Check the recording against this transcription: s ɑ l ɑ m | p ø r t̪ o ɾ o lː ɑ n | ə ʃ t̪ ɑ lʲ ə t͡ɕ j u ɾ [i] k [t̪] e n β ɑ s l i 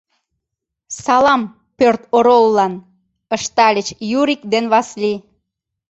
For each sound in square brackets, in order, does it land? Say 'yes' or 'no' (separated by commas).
yes, no